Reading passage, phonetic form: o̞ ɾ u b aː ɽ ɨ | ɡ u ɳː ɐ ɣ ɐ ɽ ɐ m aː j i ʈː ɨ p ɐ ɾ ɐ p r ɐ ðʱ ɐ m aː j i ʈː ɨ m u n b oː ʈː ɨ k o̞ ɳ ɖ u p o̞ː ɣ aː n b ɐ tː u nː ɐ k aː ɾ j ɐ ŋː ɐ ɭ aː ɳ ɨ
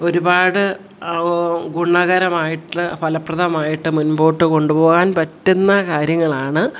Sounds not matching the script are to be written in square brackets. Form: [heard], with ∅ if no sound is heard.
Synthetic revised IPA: o̞ ɾ u b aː ɽ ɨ | ɡ u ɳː ɐ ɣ ɐ [ɾ] ɐ m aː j i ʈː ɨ p ɐ [l] ɐ p r ɐ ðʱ ɐ m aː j i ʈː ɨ m u n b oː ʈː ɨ k o̞ ɳ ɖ u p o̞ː ɣ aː n [p] ɐ tː u nː ɐ k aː ɾ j ɐ ŋː ɐ ɭ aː ɳ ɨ